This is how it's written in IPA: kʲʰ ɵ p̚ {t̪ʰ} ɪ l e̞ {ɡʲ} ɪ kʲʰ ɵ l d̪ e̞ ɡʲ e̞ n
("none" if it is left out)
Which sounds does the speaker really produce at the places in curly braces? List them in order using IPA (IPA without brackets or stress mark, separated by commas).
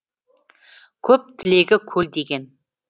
t̪ʰ, ɡʲ